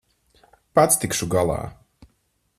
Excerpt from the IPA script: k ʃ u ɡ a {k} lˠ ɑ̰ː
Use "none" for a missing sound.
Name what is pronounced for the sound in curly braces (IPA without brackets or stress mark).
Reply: none